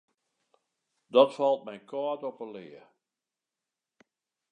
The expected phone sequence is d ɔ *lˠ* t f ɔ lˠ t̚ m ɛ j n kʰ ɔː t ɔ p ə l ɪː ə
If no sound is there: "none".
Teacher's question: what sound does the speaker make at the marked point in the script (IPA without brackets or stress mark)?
none